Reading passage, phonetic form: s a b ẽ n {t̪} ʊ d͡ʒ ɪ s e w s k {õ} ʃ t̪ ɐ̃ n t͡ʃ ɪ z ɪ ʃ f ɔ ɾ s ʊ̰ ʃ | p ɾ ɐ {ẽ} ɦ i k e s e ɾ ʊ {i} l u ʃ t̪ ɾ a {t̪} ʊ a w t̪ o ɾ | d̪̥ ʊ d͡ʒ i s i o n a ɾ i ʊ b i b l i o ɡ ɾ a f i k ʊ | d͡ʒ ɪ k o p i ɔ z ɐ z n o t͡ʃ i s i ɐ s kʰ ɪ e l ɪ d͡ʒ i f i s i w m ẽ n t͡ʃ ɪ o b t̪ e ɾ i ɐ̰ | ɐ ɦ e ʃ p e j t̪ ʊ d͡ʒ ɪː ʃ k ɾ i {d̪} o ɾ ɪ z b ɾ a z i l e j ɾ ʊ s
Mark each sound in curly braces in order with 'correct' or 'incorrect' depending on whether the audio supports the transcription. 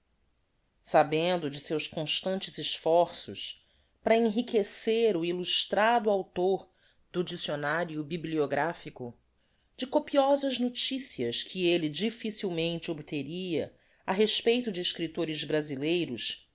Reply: incorrect: d̪, correct, correct, correct, incorrect: d̪, incorrect: t̪

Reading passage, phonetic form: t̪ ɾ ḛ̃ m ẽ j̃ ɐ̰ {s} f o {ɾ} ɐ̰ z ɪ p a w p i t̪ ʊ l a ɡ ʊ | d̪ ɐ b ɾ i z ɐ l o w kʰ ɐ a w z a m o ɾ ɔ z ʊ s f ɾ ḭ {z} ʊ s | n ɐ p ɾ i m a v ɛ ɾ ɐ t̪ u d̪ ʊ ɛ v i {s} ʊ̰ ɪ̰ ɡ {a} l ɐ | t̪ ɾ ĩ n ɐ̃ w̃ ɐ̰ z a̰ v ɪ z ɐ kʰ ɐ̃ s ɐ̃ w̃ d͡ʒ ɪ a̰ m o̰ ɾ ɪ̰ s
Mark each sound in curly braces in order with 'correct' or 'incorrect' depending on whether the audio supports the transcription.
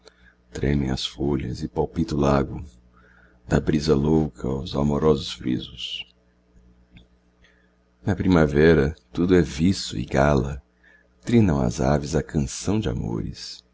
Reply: correct, incorrect: ʎ, correct, correct, correct

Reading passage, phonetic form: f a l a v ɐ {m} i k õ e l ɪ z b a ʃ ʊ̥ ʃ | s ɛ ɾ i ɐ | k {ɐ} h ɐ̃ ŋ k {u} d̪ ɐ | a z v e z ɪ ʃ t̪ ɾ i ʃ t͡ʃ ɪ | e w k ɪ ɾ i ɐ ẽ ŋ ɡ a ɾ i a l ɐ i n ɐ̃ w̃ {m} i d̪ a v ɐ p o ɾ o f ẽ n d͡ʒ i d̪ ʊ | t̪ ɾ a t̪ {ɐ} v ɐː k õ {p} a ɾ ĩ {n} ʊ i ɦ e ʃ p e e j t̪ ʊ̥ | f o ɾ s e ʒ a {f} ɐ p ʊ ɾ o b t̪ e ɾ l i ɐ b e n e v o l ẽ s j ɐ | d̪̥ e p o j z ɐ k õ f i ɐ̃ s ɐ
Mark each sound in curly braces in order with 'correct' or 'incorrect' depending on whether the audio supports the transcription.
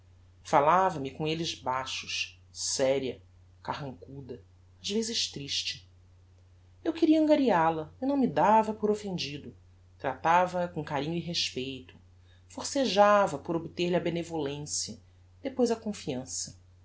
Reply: correct, incorrect: a, correct, correct, incorrect: a, incorrect: k, incorrect: ɲ, incorrect: v

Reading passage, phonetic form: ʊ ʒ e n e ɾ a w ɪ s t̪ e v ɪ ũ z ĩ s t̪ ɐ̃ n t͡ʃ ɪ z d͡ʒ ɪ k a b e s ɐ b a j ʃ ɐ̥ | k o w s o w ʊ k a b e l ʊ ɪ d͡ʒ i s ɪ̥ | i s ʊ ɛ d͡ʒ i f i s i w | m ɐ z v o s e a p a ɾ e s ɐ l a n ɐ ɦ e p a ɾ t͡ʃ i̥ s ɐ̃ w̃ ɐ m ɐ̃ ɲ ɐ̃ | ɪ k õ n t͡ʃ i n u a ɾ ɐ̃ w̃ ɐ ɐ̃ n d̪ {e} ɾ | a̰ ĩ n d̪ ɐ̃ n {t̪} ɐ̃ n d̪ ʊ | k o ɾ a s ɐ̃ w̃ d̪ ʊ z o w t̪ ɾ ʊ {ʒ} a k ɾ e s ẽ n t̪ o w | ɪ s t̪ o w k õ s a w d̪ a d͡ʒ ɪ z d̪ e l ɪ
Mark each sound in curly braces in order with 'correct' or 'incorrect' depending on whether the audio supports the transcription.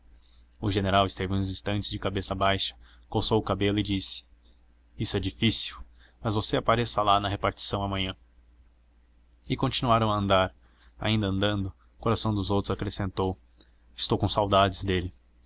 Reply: incorrect: a, incorrect: d̪, incorrect: z

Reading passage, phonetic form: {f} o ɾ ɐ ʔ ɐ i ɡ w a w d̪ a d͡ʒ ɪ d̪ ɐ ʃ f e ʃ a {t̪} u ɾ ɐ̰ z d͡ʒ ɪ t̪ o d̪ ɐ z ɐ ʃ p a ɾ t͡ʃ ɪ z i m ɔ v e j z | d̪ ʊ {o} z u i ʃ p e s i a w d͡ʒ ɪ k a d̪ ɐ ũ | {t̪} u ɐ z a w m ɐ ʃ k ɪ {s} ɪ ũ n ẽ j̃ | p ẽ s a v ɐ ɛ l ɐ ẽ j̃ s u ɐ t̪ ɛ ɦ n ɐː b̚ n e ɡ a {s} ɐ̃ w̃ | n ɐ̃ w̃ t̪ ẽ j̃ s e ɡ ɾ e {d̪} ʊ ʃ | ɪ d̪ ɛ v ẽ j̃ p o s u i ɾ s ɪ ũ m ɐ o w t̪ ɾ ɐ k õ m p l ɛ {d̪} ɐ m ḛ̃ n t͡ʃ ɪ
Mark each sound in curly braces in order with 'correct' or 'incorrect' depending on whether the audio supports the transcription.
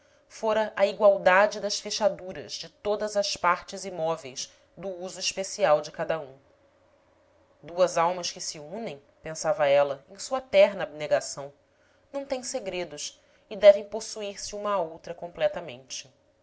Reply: correct, incorrect: d̪, incorrect: u, incorrect: d̪, correct, correct, correct, incorrect: t̪

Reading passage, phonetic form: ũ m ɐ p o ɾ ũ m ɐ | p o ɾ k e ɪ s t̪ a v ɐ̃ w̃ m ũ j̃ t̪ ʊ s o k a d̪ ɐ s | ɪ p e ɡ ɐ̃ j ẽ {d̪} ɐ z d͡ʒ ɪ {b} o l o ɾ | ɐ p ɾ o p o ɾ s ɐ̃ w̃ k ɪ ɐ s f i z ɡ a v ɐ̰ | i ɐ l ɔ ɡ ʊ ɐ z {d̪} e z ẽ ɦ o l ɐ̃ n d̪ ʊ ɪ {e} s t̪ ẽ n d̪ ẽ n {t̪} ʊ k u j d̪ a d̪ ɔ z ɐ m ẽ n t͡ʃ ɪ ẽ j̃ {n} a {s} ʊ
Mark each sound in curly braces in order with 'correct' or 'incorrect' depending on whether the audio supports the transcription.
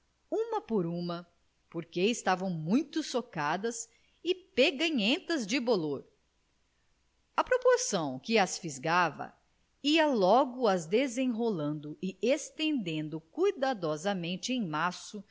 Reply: incorrect: t̪, correct, correct, correct, incorrect: d̪, incorrect: m, correct

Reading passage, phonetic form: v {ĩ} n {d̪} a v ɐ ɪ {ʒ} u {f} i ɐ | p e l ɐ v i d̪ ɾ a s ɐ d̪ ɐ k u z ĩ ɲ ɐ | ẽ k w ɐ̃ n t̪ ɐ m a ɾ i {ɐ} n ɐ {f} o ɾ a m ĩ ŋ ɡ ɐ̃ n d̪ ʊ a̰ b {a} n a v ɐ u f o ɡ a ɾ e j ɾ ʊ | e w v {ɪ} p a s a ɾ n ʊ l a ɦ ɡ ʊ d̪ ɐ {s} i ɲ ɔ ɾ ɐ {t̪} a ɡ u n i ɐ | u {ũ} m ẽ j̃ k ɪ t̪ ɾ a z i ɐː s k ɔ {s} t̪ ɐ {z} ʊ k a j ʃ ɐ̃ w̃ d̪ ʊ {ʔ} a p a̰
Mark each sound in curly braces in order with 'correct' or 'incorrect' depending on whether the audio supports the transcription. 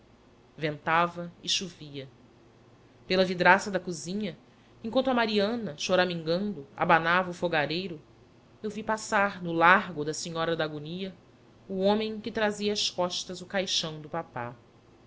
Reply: incorrect: ẽ, incorrect: t̪, incorrect: ʃ, incorrect: v, incorrect: ɐ̃, incorrect: ʃ, correct, incorrect: i, correct, incorrect: d̪, incorrect: õ, incorrect: ʃ, correct, incorrect: p

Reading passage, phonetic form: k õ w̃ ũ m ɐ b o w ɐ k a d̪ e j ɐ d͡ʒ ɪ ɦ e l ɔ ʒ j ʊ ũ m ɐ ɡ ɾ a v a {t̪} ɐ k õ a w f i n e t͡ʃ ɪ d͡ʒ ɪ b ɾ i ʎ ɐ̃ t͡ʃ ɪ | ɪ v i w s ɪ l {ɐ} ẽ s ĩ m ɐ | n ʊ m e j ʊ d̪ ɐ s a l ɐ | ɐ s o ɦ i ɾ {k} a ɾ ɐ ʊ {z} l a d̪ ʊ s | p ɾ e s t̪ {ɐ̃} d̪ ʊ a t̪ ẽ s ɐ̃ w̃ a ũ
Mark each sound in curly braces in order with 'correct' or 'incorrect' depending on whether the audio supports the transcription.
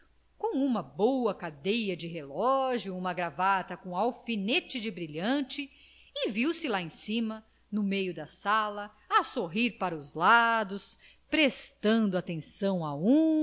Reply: correct, incorrect: a, incorrect: p, correct, correct

